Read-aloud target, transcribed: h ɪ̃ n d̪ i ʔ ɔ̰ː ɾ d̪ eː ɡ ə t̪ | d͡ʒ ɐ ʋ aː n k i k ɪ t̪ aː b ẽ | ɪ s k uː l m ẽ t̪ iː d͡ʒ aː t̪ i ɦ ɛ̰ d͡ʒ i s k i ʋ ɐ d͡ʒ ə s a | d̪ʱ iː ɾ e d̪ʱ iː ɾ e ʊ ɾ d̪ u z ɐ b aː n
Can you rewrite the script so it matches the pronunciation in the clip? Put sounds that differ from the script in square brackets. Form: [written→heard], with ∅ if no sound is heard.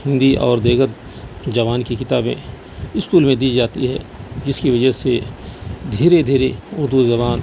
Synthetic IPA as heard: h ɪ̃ n d̪ i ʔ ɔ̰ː ɾ d̪ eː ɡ ə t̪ | d͡ʒ ɐ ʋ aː n k i k ɪ t̪ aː b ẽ | ɪ s k uː l m ẽ [t̪→d̪] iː d͡ʒ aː t̪ i ɦ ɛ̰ d͡ʒ [i→ɪ] s k i ʋ ɐ d͡ʒ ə s [a→e] | d̪ʱ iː ɾ e d̪ʱ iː ɾ e ʊ ɾ d̪ u z ɐ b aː n

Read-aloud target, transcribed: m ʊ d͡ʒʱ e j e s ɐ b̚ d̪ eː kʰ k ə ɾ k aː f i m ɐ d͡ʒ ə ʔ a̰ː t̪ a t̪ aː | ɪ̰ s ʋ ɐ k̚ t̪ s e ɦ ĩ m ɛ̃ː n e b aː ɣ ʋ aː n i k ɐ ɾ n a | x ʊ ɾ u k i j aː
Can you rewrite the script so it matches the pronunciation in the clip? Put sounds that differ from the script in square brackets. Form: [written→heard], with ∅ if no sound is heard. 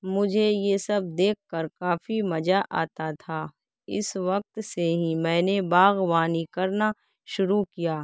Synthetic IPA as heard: m ʊ d͡ʒʱ e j e s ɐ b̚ d̪ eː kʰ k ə ɾ k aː f i m ɐ d͡ʒ [ə→a] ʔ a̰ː t̪ a [t̪→t̪ʰ] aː | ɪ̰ s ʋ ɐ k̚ t̪ s e ɦ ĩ m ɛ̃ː n e b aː ɣ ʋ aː n i k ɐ ɾ n a | [x→ʃ] ʊ ɾ u k i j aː

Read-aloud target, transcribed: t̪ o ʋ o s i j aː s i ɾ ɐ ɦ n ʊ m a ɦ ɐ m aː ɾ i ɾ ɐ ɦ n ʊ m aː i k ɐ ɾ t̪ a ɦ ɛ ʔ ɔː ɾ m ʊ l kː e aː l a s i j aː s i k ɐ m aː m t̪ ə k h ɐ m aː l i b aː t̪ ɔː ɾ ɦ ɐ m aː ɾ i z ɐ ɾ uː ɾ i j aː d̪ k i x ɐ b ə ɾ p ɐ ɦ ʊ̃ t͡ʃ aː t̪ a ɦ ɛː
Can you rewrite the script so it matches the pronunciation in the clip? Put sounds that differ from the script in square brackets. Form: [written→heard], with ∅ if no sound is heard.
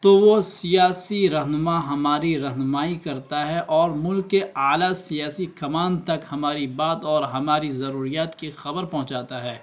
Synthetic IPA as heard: t̪ o ʋ o s i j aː s i ɾ ɐ ɦ n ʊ m a ɦ ɐ m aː ɾ i ɾ ɐ ɦ n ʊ m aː i k ɐ ɾ t̪ a ɦ ɛ ʔ ɔː ɾ m ʊ l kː e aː l a s i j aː s i k ɐ m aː [m→n] t̪ [ə→ɐ] k h ɐ m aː [l→ɾ] i b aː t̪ ɔː ɾ ɦ ɐ m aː ɾ i z ɐ ɾ uː ɾ i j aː [d̪→t̪] k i x ɐ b ə ɾ p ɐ ɦ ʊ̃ t͡ʃ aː t̪ a ɦ ɛː

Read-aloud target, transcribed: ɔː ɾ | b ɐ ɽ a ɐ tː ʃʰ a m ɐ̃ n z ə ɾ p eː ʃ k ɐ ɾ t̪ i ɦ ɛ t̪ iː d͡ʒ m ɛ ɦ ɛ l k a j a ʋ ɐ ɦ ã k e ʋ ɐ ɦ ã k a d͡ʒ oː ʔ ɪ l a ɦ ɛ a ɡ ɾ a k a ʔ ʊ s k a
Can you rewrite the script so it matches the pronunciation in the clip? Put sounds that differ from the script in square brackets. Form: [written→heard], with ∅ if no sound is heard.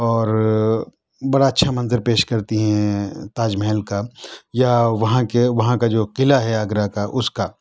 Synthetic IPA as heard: ɔː ɾ | b ɐ ɽ a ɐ tː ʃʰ a m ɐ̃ n z ə ɾ p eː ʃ k ɐ ɾ t̪ i ɦ [ɛ→ɛ̃] t̪ [iː→aː] d͡ʒ m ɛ ɦ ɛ l k a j a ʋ ɐ ɦ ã k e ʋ ɐ ɦ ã k a d͡ʒ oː [ʔ→q] ɪ l a ɦ ɛ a ɡ ɾ a k a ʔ ʊ s k a

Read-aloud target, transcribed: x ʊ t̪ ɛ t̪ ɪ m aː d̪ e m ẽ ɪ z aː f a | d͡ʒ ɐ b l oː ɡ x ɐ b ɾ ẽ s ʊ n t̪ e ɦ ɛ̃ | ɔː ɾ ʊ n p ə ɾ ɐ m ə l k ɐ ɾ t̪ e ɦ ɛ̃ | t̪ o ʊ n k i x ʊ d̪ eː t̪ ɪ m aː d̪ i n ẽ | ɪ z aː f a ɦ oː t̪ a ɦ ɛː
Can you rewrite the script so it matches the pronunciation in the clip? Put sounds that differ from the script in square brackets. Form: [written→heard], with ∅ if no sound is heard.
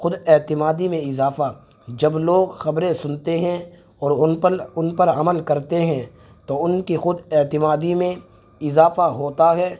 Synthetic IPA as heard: x ʊ [t̪→d̪] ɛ t̪ ɪ m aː d̪ [e→i] m ẽ ɪ z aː f a | d͡ʒ ɐ b l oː ɡ x ɐ b ɾ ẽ s ʊ n t̪ e ɦ ɛ̃ | ɔː ɾ ʊ n p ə ɾ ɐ m ə l k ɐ ɾ t̪ e ɦ ɛ̃ | t̪ o ʊ n k i x ʊ d̪ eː t̪ ɪ m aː d̪ i [n→m] ẽ | ɪ z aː f a ɦ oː t̪ a ɦ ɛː

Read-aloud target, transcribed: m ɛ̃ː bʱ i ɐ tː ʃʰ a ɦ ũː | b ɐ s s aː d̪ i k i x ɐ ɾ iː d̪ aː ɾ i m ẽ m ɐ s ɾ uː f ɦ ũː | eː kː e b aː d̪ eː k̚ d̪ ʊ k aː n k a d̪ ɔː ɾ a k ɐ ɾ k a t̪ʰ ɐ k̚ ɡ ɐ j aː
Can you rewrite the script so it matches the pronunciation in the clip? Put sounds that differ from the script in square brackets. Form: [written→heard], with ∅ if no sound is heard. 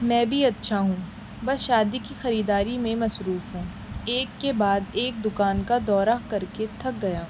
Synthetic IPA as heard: m ɛ̃ː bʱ i ɐ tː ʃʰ a ɦ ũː | b ɐ s [s→ʃ] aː d̪ i k i x ɐ ɾ iː d̪ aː ɾ i m ẽ m ɐ s ɾ uː f ɦ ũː | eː kː e b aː d̪ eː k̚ d̪ ʊ k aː n k a d̪ ɔː ɾ a k ɐ ɾ k [a→e] t̪ʰ ɐ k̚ ɡ ɐ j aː

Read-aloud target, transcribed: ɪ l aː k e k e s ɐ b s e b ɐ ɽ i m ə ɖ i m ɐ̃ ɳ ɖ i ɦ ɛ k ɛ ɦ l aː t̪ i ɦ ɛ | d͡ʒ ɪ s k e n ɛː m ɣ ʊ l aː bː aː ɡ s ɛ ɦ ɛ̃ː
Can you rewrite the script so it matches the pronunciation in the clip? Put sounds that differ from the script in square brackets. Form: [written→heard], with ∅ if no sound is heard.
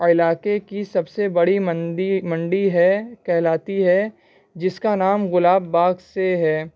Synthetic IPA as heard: ɪ l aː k e k [e→i] s ɐ b s e b ɐ ɽ i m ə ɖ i m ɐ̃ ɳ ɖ i ɦ ɛ k ɛ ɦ l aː t̪ i ɦ ɛ | d͡ʒ ɪ s k [e→a] n [ɛː→aː] m ɣ ʊ l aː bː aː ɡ s [ɛ→e] ɦ [ɛ̃ː→ɛː]

